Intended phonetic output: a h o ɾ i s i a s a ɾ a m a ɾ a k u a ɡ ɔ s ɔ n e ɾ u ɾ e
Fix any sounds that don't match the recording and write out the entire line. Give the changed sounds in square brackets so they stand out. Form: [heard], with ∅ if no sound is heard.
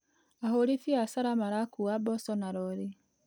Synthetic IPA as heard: a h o ɾ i [f] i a s a ɾ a m a ɾ a k u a [b] ɔ s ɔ n [a] ɾ [ɔ] ɾ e